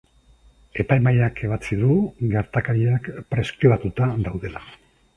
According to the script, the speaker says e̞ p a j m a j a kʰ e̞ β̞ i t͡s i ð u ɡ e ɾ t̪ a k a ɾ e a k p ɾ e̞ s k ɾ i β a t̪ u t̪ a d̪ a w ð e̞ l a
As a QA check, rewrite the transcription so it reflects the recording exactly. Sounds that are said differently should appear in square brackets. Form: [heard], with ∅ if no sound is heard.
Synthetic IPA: e̞ p a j m a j a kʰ e̞ β̞ [a] t͡s i ð u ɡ e ɾ t̪ a k a ɾ [i] a k p ɾ e̞ s k ɾ i β a t̪ u t̪ a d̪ a w ð e̞ l a